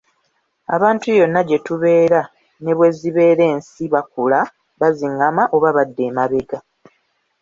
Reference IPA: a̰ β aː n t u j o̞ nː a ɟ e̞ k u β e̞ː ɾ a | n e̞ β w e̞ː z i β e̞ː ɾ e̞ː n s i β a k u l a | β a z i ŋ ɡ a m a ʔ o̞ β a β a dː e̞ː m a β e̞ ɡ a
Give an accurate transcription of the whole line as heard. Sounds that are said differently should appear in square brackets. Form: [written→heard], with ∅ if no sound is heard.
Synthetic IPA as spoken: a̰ β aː n t u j o̞ nː a ɟ e̞ [k→t] u β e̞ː ɾ a | n e̞ β w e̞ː z i β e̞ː ɾ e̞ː n s i β a k u l a | β a z i ŋ ɡ a m a ʔ o̞ β a β a dː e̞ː m a β e̞ ɡ a